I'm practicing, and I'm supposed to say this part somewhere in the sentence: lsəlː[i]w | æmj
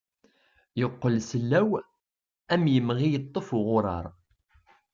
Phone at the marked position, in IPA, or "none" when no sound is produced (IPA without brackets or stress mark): æ